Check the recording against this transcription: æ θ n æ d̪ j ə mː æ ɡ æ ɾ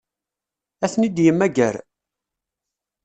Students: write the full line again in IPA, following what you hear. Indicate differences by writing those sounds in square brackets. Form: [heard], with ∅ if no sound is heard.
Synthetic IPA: æ θ n [i] d̪ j ə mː æ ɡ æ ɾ